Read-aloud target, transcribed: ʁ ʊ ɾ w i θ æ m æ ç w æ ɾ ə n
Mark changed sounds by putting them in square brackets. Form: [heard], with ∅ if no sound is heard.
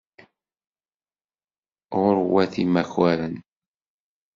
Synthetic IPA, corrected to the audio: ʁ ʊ ɾ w [æ] θ [i] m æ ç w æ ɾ ə n